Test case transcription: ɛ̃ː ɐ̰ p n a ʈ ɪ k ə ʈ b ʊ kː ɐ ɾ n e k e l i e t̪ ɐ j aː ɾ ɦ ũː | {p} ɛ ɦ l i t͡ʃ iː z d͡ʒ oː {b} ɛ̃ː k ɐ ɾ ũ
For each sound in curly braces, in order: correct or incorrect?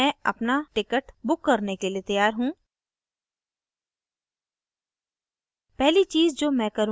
correct, incorrect: m

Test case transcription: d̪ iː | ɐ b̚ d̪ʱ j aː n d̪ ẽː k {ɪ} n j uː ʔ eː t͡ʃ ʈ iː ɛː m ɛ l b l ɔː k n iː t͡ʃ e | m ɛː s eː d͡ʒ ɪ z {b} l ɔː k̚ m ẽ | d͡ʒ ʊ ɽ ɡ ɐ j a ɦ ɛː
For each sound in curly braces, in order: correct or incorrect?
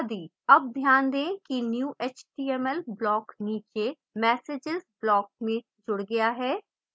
incorrect: i, correct

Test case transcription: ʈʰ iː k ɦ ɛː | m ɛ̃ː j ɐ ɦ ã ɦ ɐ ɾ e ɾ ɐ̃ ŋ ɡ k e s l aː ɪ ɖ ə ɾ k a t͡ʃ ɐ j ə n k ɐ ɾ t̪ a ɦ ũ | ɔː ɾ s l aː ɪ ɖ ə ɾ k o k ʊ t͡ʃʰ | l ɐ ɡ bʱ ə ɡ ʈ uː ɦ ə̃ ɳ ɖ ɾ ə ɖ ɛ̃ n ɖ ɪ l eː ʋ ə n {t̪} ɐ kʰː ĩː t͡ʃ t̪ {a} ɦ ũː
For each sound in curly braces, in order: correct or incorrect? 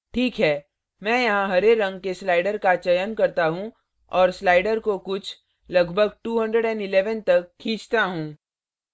correct, correct

